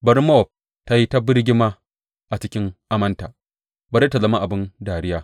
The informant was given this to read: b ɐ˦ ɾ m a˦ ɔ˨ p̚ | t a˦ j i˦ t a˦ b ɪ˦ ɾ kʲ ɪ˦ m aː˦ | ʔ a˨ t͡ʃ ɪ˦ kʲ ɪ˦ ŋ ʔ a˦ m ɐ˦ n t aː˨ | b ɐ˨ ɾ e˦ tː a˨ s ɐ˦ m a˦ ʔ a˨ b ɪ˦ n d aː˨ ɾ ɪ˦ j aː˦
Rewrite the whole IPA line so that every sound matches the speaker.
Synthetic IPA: b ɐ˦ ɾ m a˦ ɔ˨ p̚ | t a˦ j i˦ t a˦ b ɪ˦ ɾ ɡʲ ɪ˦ m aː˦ | ʔ a˨ t͡ʃ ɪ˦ kʲ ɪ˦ ŋ ʔ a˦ m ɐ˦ n t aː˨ | b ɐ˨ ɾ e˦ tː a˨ z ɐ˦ m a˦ ʔ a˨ b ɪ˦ n d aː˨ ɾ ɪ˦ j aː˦